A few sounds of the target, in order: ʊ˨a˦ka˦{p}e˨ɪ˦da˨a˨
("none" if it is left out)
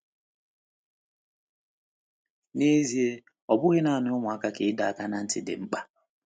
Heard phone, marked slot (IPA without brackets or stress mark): k